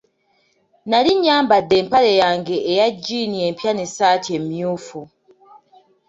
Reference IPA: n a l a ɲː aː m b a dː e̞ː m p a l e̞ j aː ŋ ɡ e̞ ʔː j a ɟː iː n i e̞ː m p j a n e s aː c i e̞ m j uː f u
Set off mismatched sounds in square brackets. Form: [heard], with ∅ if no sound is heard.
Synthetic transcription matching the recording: n a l [i] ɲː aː m b a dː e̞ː m p a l e̞ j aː ŋ ɡ e̞ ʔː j a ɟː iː n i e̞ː m p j a n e s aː [t] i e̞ m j uː f u